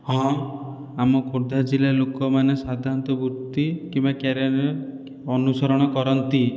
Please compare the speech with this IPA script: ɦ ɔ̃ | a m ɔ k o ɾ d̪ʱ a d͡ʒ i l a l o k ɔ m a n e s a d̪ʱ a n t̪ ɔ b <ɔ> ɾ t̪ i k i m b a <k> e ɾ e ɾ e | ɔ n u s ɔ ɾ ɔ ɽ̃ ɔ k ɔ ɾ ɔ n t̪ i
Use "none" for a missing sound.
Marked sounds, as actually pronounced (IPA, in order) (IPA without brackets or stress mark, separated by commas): u, k